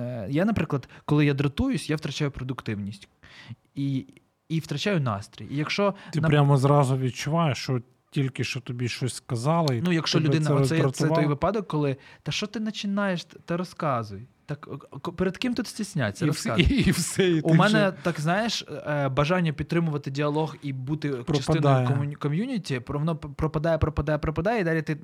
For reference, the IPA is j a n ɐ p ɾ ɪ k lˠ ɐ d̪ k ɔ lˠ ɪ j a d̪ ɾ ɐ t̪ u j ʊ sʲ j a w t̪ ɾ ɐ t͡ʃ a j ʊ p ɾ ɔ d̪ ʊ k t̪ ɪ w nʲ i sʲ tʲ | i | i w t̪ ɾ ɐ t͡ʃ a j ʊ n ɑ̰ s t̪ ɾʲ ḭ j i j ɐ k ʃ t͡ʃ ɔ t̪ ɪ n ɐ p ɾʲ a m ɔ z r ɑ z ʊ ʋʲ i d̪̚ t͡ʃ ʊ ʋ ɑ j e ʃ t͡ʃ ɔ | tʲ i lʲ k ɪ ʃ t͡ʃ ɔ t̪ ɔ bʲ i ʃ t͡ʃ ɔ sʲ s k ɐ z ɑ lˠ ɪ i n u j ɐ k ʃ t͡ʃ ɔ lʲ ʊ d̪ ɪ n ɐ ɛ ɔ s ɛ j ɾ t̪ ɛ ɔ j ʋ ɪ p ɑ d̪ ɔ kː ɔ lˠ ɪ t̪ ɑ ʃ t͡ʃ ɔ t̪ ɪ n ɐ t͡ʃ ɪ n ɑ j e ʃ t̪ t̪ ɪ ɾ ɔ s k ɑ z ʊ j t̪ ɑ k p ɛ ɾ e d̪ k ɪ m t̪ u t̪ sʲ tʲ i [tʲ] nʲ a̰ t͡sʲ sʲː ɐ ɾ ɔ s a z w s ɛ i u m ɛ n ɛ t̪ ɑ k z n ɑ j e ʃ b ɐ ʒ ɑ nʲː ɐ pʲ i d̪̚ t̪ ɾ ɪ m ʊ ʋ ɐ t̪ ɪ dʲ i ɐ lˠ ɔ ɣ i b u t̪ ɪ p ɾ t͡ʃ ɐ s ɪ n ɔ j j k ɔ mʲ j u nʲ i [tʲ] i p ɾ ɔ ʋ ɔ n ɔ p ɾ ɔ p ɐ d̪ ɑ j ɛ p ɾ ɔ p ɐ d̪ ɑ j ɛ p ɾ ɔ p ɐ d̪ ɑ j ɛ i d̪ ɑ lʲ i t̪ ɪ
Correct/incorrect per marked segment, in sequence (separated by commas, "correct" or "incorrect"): incorrect, correct